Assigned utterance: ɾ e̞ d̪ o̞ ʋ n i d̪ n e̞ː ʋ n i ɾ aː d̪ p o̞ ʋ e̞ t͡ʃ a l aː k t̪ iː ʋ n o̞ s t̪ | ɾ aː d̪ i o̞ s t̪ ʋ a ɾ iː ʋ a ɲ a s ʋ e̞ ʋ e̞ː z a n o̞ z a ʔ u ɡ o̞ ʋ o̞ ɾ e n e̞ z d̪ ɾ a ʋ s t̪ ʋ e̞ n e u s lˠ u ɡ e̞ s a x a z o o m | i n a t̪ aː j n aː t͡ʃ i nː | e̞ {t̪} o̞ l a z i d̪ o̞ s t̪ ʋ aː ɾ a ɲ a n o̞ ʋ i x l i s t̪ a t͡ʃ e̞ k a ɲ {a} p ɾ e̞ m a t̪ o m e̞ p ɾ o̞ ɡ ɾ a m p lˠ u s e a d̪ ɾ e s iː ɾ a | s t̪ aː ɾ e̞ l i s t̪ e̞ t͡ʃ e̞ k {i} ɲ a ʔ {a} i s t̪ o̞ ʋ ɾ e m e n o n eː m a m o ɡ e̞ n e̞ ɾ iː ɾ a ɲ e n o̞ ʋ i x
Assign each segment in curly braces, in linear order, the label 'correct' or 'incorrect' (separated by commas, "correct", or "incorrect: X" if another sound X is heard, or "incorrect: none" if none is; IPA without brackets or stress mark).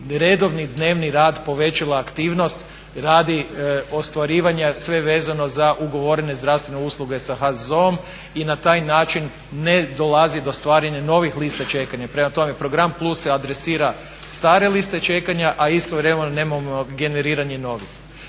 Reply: incorrect: d̪, correct, incorrect: a, correct